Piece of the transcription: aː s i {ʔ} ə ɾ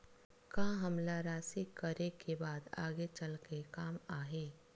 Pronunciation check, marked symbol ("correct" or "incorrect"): incorrect